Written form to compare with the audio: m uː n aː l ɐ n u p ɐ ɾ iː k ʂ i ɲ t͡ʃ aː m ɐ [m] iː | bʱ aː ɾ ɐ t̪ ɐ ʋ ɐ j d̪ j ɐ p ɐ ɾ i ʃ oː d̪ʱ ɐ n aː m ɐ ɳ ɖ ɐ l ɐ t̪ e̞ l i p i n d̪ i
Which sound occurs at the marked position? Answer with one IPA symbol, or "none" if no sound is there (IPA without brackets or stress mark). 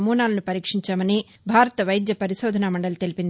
n